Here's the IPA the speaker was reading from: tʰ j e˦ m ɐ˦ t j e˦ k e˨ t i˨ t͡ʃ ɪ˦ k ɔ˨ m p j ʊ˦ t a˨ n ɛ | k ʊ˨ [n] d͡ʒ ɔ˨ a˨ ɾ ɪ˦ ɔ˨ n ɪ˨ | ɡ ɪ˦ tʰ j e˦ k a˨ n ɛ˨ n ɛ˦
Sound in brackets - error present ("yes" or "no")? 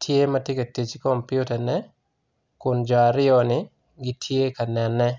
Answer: no